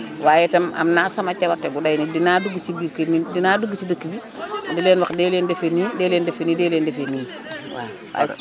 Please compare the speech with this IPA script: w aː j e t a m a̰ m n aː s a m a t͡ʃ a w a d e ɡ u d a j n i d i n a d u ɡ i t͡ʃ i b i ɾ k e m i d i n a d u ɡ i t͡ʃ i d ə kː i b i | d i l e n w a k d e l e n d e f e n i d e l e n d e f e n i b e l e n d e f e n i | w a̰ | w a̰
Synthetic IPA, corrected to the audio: w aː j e t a m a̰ m n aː s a m a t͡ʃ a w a t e ɡ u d a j n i d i n a d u ɡ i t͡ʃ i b i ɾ k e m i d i n a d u ɡ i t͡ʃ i d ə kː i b i | d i l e n w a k d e l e n d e f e n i d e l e n d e f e n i d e l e n d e f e n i | w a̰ | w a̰